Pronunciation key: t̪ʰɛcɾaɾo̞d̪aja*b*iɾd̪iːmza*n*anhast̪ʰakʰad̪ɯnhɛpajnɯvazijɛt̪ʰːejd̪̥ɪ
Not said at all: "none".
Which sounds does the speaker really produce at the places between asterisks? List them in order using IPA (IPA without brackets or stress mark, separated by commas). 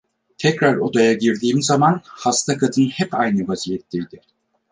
ɟ, m